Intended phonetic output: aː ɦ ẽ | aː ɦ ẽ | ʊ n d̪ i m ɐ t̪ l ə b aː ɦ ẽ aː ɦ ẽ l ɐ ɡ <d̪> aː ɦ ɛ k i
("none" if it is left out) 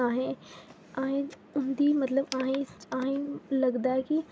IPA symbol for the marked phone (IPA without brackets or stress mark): d̪